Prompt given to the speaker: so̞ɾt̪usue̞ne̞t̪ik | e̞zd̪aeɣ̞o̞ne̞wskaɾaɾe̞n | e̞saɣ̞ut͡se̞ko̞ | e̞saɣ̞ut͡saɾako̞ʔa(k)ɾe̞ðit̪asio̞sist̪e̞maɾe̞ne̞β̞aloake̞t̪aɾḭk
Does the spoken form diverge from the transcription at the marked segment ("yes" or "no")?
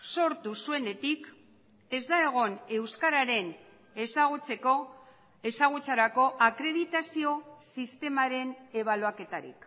no